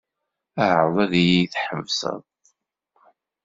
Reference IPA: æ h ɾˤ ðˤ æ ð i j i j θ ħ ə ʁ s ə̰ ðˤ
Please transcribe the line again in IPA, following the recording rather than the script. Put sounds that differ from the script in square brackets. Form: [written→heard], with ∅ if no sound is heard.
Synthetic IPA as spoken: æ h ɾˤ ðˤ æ ð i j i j θ ħ ə [ʁ→v] s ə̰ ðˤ